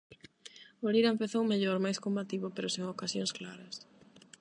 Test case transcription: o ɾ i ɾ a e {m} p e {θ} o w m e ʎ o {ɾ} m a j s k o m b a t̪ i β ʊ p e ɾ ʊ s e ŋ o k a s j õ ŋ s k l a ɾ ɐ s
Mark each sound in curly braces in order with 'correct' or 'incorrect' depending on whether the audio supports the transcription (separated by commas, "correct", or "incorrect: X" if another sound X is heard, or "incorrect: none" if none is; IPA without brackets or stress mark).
correct, correct, correct